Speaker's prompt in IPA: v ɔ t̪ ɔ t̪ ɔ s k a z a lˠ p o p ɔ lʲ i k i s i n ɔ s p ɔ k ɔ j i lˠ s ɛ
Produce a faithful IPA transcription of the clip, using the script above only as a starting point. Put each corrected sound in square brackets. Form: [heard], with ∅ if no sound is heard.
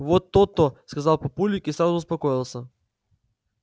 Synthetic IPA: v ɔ t̪ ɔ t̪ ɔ s k a z a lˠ p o p [u] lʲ i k i s [a] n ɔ s p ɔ k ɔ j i lˠ s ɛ